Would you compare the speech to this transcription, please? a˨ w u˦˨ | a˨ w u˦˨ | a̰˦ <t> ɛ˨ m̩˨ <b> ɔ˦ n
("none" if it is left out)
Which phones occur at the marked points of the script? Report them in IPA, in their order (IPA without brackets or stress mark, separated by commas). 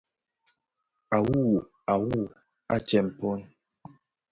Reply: t͡ʃ, p